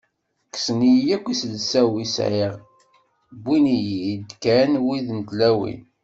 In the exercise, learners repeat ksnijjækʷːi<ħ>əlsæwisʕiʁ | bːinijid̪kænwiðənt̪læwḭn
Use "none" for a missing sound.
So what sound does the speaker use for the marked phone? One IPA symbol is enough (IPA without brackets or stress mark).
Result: s